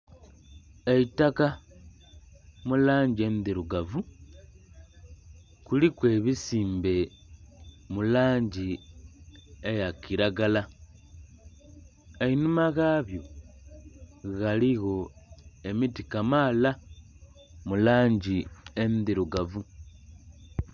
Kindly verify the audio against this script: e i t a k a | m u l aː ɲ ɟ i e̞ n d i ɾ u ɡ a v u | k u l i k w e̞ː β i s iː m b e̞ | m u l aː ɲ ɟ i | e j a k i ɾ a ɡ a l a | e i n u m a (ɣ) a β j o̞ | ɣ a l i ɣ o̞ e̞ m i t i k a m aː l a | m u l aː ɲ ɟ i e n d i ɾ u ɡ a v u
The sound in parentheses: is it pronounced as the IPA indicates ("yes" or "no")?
yes